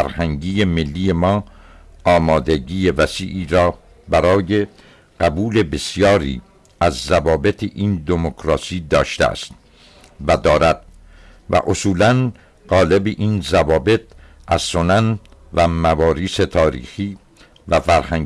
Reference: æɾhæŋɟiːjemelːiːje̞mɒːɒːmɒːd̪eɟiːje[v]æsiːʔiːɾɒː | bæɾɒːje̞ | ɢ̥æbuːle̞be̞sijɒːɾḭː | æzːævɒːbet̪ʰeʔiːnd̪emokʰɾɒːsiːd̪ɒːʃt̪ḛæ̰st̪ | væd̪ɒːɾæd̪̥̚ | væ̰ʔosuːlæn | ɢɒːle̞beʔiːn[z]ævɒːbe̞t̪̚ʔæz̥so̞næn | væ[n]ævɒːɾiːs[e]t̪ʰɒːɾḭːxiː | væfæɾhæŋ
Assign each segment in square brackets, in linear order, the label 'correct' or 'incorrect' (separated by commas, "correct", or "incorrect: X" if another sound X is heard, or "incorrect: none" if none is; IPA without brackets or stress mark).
correct, correct, incorrect: m, correct